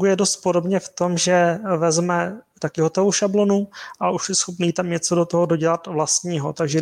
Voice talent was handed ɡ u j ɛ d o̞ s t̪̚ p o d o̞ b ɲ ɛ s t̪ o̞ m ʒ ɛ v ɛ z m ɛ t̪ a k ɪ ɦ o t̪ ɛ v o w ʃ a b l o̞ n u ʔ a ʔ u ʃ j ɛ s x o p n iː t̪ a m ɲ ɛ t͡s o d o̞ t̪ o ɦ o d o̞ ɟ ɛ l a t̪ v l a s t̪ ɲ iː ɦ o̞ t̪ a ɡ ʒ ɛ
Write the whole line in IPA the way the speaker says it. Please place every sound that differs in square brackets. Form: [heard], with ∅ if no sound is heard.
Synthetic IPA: ɡ u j ɛ d o̞ s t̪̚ p o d o̞ b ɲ ɛ [f] t̪ o̞ m ʒ ɛ v ɛ z m ɛ t̪ a k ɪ ɦ o t̪ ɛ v o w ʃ a b l o̞ n u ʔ a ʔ u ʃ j ɛ s x o p n iː t̪ a m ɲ ɛ t͡s o d o̞ t̪ o ɦ o d o̞ ɟ ɛ l a t̪ v l a s t̪ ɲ iː ɦ o̞ t̪ a ɡ ʒ ɛ